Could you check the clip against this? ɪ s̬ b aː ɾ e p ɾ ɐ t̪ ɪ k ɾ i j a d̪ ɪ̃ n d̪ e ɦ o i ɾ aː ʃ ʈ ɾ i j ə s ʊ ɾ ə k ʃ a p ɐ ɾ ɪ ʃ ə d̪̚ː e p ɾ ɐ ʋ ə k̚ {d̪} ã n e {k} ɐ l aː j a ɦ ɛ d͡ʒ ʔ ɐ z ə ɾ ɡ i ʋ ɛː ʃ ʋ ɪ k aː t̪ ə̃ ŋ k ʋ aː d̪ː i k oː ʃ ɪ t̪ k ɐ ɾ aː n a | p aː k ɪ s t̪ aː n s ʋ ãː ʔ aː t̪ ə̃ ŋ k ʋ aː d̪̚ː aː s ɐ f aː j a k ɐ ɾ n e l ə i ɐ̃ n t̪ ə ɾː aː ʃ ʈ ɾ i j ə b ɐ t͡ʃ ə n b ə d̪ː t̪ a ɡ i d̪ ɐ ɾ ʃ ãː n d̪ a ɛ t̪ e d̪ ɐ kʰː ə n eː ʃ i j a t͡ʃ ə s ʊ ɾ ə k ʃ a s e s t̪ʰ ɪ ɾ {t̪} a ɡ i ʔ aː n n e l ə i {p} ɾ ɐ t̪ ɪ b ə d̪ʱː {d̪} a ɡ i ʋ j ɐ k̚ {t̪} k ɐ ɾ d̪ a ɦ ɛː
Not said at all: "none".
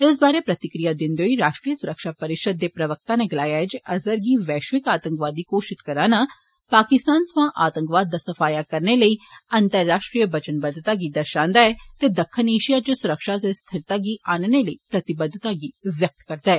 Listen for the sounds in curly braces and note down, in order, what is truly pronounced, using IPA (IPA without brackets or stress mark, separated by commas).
t̪, ɡ, t̪, p, t̪, t̪